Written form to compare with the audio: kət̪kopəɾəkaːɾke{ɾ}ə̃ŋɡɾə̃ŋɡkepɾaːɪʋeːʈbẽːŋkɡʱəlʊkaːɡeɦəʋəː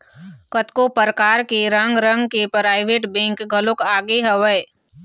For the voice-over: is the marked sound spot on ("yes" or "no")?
yes